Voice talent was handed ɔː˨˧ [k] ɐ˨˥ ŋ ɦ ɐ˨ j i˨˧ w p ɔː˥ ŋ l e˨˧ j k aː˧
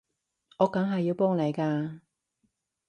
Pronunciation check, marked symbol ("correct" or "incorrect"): correct